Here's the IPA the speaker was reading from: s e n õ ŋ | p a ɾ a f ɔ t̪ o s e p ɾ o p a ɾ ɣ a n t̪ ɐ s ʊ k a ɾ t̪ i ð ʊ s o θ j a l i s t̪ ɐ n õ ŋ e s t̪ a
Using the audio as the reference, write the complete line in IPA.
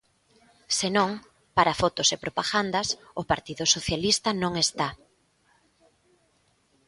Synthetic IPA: s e n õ ŋ | p a ɾ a f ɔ t̪ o s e p ɾ o p a ɣ a n d̪ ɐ s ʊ p a ɾ t̪ i ð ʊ s o θ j a l i s t̪ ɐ n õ ŋ e s t̪ a